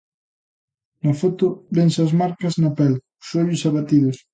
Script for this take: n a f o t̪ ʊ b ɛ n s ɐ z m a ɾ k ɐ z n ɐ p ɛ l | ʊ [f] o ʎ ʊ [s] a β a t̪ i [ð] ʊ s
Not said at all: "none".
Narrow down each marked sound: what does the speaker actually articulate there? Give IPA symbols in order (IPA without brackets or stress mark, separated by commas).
s, s, ð